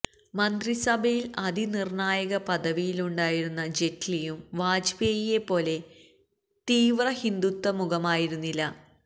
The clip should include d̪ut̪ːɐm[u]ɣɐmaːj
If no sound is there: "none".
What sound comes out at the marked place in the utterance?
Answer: u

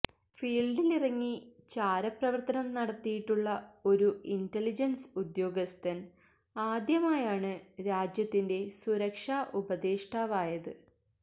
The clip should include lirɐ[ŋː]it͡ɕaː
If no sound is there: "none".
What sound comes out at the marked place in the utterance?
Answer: ŋː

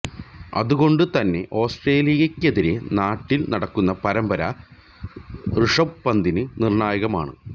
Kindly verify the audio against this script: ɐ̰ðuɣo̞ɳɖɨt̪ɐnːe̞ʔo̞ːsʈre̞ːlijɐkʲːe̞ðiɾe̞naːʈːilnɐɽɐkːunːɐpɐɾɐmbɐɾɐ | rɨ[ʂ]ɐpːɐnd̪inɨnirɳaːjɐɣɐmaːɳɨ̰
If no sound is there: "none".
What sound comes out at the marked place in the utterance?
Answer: ʂ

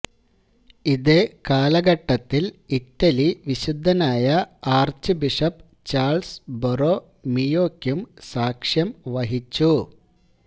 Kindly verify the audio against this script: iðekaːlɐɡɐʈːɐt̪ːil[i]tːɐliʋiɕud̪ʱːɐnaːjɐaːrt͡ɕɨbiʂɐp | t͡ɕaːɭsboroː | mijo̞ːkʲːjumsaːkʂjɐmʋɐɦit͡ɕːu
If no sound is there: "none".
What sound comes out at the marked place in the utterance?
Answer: i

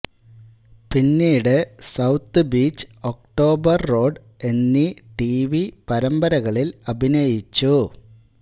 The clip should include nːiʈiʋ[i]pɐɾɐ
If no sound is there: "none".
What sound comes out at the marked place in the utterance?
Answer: i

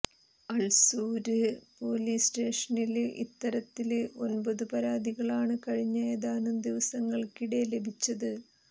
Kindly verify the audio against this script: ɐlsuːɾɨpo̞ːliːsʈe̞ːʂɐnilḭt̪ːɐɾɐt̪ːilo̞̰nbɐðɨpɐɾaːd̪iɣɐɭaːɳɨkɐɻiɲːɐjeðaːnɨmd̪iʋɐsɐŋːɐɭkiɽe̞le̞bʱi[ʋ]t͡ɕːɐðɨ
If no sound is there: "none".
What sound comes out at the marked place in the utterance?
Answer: none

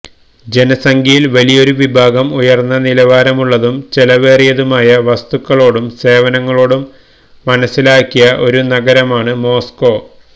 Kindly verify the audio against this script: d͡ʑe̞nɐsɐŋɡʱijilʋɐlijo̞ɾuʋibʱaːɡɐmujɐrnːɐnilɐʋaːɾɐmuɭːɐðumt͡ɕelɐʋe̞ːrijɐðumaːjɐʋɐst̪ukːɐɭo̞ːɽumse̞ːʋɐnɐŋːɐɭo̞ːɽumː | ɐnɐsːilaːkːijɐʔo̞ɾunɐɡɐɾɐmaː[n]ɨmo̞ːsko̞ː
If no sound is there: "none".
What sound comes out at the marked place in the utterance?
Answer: ɳ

